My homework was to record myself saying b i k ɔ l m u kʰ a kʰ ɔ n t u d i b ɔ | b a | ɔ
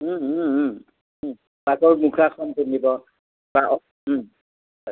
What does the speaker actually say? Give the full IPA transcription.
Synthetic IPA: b a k ɔ ɹ m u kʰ a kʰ ɔ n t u n i b ɔ | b a | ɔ